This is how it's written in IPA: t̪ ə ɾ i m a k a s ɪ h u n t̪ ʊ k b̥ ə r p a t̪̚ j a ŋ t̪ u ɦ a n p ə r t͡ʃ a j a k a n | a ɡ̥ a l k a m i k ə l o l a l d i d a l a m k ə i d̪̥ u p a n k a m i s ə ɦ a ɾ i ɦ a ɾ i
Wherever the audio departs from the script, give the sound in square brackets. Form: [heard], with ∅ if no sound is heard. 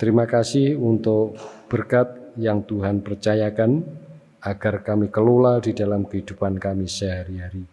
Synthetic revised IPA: t̪ ə ɾ i m a k a s ɪ h u n t̪ ʊ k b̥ ə r [k] a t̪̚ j a ŋ t̪ u ɦ a n p ə r t͡ʃ a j a k a n | a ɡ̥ a [r] k a m i k ə l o l a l d i d a l a m k ə i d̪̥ u p a n k a m i s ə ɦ a ɾ i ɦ a ɾ i